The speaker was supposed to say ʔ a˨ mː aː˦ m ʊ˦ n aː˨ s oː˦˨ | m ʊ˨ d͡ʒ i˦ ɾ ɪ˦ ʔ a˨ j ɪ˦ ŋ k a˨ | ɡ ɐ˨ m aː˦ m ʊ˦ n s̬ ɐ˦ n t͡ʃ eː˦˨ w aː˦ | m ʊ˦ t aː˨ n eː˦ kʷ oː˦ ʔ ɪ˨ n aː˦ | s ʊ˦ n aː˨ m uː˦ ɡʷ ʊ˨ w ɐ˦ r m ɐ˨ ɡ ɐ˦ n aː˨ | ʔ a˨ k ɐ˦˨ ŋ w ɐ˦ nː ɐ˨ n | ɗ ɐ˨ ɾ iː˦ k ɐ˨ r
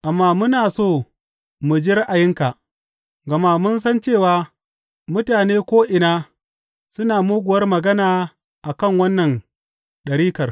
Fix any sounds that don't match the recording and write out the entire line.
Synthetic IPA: ʔ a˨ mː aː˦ m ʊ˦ n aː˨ s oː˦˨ | m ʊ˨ d͡ʒ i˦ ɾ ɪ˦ ʔ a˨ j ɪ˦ ŋ k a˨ | ɡ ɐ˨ m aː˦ m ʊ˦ n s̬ ɐ˦ n t͡ʃ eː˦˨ w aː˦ | m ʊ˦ t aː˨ n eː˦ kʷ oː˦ ʔ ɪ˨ n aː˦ | s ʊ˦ n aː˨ m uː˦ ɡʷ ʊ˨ w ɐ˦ r m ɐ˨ ɡ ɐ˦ n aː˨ | ʔ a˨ k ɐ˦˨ ŋ w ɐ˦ nː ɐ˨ n | ɗ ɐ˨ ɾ iː˦ k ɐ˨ r

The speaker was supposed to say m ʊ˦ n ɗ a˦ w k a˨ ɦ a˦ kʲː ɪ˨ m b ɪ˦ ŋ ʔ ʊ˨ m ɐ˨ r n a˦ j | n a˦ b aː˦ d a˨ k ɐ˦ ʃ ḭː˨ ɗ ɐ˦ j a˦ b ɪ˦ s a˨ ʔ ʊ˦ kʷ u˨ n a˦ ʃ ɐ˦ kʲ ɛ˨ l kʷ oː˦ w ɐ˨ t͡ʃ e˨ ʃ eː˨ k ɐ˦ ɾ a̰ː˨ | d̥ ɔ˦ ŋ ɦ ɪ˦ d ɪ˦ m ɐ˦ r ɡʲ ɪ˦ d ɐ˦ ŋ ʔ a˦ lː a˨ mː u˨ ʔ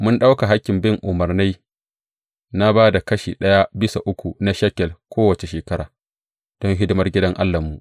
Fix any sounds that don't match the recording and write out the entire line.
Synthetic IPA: m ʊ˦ n ɗ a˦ w k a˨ ɦ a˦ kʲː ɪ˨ m b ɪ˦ ŋ ʔ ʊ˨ m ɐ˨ r n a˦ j | n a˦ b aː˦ d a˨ k ɐ˦ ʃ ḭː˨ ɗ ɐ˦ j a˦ b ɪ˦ s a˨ ʔ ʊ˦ kʷ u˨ n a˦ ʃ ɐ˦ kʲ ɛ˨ l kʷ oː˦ w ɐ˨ t͡ʃ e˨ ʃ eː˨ k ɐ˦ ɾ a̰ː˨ | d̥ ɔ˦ ŋ ɦ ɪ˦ d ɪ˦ m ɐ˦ r ɡʲ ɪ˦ d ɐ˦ ŋ ʔ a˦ lː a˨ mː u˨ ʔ

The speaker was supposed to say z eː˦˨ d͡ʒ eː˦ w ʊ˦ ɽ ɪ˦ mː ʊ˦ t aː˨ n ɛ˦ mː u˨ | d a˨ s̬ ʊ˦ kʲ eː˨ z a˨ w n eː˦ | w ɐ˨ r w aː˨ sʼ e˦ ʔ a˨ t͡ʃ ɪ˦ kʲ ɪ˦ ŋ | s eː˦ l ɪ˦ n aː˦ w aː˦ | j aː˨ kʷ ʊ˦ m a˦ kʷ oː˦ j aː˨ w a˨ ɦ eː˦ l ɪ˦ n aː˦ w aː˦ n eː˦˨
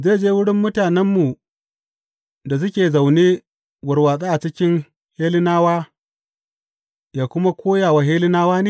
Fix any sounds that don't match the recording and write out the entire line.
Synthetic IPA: z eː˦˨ d͡ʒ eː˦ w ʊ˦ ɽ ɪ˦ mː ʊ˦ t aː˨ n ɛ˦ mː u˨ | d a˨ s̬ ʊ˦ kʲ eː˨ z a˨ w n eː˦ | w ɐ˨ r w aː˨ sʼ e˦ ʔ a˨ t͡ʃ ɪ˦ kʲ ɪ˦ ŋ | h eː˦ l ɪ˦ n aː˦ w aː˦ | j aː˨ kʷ ʊ˦ m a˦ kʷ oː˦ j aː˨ w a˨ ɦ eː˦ l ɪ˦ n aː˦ w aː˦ n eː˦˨

